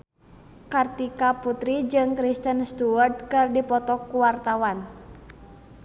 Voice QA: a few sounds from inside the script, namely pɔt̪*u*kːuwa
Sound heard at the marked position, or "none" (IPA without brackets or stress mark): ɔ